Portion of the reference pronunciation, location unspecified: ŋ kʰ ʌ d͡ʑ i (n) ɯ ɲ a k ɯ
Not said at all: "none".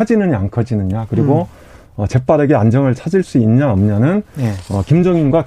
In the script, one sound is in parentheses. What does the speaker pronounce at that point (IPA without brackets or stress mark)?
n